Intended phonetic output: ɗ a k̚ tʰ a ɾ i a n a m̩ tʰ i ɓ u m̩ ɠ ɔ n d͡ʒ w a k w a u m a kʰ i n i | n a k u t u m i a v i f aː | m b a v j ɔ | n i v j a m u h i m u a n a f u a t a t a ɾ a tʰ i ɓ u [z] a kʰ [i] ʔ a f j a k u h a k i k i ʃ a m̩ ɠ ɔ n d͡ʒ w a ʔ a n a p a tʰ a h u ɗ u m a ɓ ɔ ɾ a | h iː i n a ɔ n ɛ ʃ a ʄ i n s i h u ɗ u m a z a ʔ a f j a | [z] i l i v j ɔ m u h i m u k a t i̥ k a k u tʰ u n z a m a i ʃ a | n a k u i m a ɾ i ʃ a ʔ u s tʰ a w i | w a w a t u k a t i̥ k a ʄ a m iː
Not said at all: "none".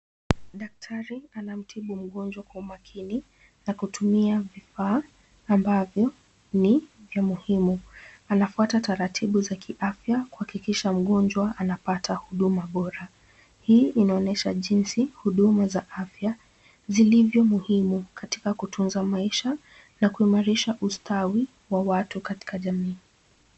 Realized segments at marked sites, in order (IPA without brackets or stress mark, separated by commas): z, i, z